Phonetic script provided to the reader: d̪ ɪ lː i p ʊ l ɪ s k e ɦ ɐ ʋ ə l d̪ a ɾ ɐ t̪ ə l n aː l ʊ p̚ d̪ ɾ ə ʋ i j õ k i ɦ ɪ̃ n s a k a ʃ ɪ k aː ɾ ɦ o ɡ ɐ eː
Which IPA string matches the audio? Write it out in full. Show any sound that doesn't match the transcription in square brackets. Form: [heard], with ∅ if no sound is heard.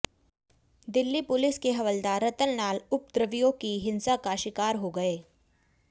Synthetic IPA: d̪ ɪ lː i p ʊ l ɪ s k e ɦ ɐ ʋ ə l d̪ a ɾ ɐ t̪ ə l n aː l ʊ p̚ d̪ ɾ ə ʋ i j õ k i ɦ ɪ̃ n s a k a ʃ ɪ k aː ɾ ɦ o ɡ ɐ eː